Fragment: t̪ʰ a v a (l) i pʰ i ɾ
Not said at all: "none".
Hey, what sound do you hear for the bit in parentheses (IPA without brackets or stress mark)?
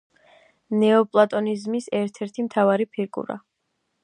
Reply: ɾ